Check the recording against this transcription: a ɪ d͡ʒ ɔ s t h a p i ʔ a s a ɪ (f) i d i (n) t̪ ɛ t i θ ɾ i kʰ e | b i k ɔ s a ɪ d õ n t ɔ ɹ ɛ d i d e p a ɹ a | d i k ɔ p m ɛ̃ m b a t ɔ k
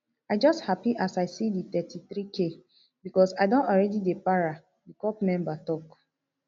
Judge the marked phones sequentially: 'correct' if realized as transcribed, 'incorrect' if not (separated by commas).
incorrect, incorrect